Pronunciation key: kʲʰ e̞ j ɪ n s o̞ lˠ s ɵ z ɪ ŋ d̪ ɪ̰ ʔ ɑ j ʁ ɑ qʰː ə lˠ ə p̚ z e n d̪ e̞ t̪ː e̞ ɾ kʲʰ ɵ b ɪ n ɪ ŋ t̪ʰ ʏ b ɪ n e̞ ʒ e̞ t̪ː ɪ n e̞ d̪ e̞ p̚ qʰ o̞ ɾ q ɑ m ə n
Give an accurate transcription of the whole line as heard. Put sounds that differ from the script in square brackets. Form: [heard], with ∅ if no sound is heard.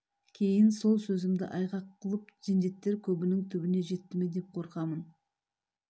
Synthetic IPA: kʲʰ e̞ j ɪ n s o̞ lˠ s ɵ z ɪ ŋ d̪ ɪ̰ ʔ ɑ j ʁ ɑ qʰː ə lˠ ə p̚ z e n d̪ e̞ t̪ː e̞ ɾ kʲʰ ɵ b ɪ n ɪ ŋ t̪ʰ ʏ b ɪ n e̞ ʒ e̞ t̪ː ɪ [m] e̞ d̪ e̞ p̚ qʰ o̞ ɾ q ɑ m ə n